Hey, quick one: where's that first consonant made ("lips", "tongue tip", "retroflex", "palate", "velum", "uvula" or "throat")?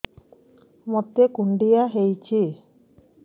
lips